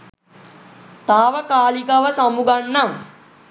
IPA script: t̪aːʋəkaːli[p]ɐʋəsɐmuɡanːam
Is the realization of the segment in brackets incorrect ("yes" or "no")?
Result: yes